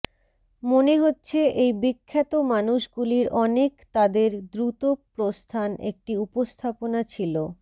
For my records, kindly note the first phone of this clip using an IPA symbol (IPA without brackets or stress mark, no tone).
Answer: m